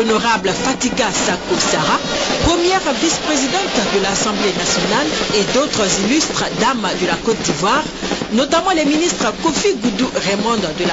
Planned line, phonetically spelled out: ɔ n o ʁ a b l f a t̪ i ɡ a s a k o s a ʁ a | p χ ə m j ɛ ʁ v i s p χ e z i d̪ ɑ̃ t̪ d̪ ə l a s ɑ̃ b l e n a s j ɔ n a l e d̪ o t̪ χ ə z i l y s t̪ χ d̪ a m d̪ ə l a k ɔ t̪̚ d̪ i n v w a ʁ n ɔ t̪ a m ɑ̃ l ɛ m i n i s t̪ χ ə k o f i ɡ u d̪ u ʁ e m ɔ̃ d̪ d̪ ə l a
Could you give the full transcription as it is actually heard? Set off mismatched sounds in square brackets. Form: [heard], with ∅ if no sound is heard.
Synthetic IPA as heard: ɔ n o ʁ a b l f a t̪ i ɡ a s a k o s a ʁ a | p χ ə m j ɛ ʁ v i s p χ e z i d̪ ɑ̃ t̪ d̪ ə l a s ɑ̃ b l e n a s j ɔ n a l e d̪ o t̪ χ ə z i l y s t̪ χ d̪ a m d̪ ə l a k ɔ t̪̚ d̪ i [∅] v w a ʁ n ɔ t̪ a m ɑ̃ l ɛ m i n i s t̪ χ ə k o f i ɡ u d̪ u ʁ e m ɔ̃ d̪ d̪ ə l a

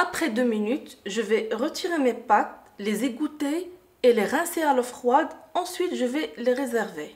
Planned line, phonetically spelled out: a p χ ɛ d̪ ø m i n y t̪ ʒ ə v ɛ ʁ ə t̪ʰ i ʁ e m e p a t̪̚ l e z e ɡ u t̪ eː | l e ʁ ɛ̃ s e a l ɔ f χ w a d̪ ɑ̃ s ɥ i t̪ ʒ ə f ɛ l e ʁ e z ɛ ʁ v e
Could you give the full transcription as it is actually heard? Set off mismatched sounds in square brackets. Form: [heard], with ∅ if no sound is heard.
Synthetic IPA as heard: a p χ ɛ d̪ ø m i n y t̪ ʒ ə v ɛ ʁ ə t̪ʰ i ʁ e m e p a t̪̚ l e z e ɡ u t̪ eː | l e ʁ ɛ̃ s e a l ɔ f χ w a d̪ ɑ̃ s ɥ i t̪ ʒ ə [v] ɛ l e ʁ e z ɛ ʁ v e

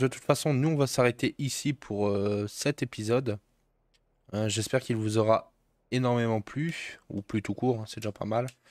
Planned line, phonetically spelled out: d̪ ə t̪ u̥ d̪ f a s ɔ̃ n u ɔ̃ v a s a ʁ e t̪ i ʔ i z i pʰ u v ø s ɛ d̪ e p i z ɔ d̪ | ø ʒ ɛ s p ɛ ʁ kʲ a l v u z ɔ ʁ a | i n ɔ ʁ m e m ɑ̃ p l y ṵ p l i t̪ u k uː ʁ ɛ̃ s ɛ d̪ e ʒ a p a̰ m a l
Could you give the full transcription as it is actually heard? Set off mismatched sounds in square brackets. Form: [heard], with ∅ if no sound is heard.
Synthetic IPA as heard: d̪ ə t̪ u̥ [t̪] f a s ɔ̃ n u ɔ̃ v a s a ʁ e t̪ [e] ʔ i [s] i pʰ u [ʁ] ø s ɛ [t̪] e p i z ɔ d̪ | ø ʒ ɛ s p ɛ ʁ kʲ [i] l v u z ɔ ʁ a | [e] n ɔ ʁ m e m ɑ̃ p l y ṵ p l [y] t̪ u k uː ʁ ɛ̃ s ɛ d̪ e ʒ a p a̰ m a l

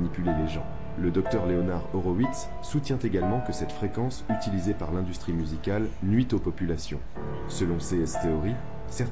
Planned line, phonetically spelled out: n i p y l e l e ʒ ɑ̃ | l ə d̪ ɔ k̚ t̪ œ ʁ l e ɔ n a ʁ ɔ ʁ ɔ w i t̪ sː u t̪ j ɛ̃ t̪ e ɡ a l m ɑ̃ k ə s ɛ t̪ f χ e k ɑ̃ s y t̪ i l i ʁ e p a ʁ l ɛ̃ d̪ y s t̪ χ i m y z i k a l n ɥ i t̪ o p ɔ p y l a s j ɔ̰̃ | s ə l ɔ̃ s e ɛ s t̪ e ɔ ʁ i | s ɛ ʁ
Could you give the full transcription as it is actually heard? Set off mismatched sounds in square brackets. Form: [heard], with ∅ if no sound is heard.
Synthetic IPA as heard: n i p y l e l e ʒ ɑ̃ | l ə d̪ ɔ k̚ t̪ œ ʁ l e ɔ n a ʁ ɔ ʁ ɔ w i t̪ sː u t̪ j ɛ̃ t̪ e ɡ a l m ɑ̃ k ə s ɛ t̪ f χ e k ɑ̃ s y t̪ i l i [z] e p a ʁ l ɛ̃ d̪ y s t̪ χ i m y z i k a l n ɥ i t̪ o p ɔ p y l a s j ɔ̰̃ | s ə l ɔ̃ s e ɛ s t̪ e ɔ ʁ i | s ɛ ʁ

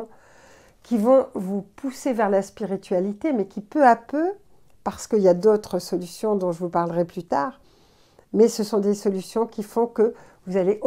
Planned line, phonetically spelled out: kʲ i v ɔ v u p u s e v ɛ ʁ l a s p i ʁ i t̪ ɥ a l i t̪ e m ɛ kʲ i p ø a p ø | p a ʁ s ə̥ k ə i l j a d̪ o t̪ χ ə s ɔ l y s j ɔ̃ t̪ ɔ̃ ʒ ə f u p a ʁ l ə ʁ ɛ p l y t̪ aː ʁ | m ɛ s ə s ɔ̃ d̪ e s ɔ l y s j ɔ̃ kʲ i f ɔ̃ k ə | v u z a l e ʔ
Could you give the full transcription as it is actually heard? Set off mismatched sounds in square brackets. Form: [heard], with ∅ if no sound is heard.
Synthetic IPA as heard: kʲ i v [ɔ̃] v u p u s e v ɛ ʁ l a s p i ʁ i t̪ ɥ a l i t̪ e m ɛ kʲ i p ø a p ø | p a ʁ s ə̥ k ə i l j a d̪ o t̪ χ ə s ɔ l y s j ɔ̃ [d̪] ɔ̃ ʒ ə [v] u p a ʁ l ə ʁ ɛ p l y t̪ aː ʁ | m ɛ s ə s ɔ̃ d̪ e s ɔ l y s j ɔ̃ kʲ i f ɔ̃ k ə | v u z a l e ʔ

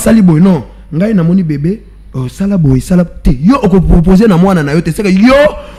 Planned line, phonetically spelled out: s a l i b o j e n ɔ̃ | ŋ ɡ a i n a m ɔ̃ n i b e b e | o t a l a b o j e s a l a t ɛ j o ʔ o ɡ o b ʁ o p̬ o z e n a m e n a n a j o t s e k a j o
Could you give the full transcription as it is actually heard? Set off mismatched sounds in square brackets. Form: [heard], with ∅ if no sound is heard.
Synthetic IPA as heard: s a l i b o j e n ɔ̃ | ŋ ɡ a i n a m [ɔ] n i b e b e | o [s] a l a b o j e s a l a t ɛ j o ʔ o [k] o [p] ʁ o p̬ o z e n a m [a] n a n a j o t s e k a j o

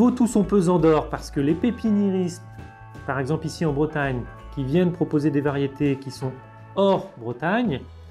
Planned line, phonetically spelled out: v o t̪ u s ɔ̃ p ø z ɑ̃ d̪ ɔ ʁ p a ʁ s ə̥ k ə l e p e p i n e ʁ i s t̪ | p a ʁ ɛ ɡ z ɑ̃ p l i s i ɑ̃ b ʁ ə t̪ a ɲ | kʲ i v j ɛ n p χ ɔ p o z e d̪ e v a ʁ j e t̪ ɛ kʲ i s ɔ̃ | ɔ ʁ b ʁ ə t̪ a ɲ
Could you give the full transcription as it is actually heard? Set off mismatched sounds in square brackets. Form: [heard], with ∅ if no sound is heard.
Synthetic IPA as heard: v o t̪ u s ɔ̃ p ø z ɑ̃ d̪ ɔ ʁ p a ʁ s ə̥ k ə l e p e p i n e ʁ i s t̪ | p a ʁ ɛ ɡ z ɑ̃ p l i s i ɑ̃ b ʁ ə t̪ a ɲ | kʲ i v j ɛ n p χ ɔ p o z e d̪ e v a ʁ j e t̪ [e] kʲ i s ɔ̃ | ɔ ʁ b ʁ ə t̪ a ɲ

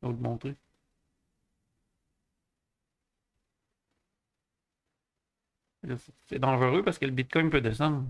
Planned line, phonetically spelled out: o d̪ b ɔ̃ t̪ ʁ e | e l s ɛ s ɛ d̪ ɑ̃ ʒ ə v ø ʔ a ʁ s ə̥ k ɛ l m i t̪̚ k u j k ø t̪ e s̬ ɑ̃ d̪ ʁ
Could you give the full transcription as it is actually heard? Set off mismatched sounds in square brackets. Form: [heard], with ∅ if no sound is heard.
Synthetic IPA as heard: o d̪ [m] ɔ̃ t̪ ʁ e | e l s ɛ s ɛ d̪ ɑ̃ ʒ ə [ʁ] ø [p] a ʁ s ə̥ k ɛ l [b] i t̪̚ k [ɔ] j [p] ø [d̪] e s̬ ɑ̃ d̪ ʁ

